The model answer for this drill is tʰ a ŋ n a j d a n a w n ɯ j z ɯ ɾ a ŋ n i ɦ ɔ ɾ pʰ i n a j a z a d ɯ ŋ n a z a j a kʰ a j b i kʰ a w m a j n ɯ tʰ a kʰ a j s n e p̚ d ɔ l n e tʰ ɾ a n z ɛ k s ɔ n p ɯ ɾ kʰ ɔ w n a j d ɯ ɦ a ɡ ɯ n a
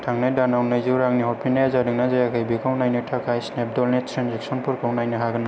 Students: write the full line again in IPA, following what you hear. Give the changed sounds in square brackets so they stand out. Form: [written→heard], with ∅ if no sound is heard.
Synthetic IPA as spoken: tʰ a ŋ n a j d a n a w n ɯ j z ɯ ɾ a ŋ n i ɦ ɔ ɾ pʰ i n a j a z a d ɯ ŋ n a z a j a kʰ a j b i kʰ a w [m→n] a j n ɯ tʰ a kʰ a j s n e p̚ d ɔ l n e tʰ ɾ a n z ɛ k s ɔ n p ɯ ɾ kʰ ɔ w n a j [d→n] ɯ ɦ a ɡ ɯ n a